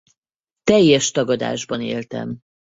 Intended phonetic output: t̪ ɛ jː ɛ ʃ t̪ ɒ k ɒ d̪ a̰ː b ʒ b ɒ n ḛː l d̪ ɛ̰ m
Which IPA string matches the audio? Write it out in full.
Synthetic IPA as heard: t̪ ɛ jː ɛ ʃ t̪ ɒ ɡ ɒ d̪ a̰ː ʒ b ɒ n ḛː l t̪ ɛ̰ m

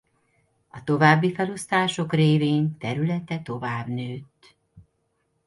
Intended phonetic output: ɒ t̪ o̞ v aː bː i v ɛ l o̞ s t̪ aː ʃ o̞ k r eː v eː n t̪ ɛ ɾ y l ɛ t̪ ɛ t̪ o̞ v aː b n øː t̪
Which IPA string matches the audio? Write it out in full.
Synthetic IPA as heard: ɒ t̪ o̞ v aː bː i f ɛ l o̞ s t̪ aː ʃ o̞ k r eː v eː n t̪ ɛ ɾ y l ɛ t̪ ɛ t̪ o̞ v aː b n øː t̪

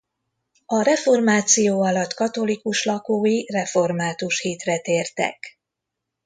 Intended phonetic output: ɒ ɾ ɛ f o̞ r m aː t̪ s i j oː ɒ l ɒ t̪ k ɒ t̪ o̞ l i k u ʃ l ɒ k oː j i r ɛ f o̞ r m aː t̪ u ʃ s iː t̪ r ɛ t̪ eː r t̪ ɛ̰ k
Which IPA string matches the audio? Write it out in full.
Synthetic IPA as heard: ɒ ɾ ɛ f o̞ r m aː t̪ s i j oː ɒ l ɒ t̪ k ɒ t̪ o̞ l i k u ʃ l ɒ k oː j i r ɛ f o̞ r m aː t̪ u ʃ h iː t̪ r ɛ t̪ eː r t̪ ɛ̰ k

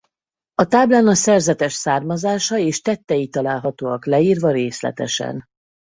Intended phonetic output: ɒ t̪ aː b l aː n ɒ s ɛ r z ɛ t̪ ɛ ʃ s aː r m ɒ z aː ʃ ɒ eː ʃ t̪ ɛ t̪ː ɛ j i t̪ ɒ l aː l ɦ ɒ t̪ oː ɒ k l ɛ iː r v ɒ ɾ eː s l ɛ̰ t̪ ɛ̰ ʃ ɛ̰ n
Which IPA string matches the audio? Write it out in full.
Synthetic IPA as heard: ɒ t̪ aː b l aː n ɒ s ɛ r z ɛ t̪ ɛ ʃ s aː r m ɒ z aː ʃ ɒ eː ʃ t̪ ɛ t̪ː ɛ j i t̪ ɒ l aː l ɦ ɒ t̪ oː ɒ k l ɛ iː r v ɒ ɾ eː s l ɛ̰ t̪ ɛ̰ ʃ ɛ̰ n

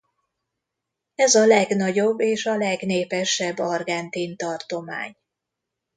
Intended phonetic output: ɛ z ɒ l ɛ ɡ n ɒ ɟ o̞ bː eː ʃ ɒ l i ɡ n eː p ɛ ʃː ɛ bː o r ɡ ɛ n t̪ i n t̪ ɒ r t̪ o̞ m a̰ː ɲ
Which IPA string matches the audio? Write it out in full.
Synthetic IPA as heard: ɛ z ɒ l ɛ ɡ n ɒ ɟ o̞ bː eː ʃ ɒ l ɛ ɡ n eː p ɛ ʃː ɛ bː ɒ r ɡ ɛ n t̪ i n t̪ ɒ r t̪ o̞ m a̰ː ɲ

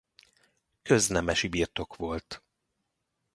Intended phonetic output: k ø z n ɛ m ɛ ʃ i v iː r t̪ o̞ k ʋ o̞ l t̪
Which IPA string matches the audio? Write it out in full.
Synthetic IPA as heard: k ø z n ɛ m ɛ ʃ i b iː r t̪ o̞ k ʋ o̞ l t̪

